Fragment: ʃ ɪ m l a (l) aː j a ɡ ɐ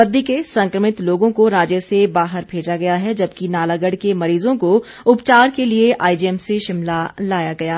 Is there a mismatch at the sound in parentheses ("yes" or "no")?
no